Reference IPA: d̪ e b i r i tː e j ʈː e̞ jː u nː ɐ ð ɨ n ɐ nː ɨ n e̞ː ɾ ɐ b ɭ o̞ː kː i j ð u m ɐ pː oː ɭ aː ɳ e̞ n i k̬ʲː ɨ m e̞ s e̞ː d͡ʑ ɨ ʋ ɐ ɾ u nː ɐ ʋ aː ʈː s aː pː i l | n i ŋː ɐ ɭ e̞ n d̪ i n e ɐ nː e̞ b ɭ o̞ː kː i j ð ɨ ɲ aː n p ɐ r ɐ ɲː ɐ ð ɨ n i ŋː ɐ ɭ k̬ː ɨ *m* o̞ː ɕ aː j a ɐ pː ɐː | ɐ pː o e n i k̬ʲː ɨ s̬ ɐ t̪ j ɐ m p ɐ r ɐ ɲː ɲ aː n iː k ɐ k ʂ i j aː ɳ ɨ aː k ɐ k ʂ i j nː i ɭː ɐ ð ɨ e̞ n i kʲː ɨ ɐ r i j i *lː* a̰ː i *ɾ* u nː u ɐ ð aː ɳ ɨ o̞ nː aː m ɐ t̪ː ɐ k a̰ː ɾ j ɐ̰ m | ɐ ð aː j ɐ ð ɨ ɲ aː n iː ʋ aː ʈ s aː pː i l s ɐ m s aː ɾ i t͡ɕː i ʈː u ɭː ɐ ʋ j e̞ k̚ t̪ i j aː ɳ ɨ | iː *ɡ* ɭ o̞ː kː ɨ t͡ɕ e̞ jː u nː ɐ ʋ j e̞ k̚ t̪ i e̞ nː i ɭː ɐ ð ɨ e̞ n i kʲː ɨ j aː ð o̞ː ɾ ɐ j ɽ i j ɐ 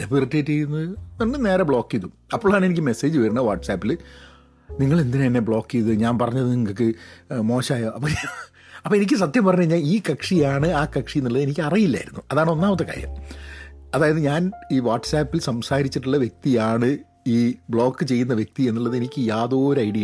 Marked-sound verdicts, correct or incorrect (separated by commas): correct, correct, correct, incorrect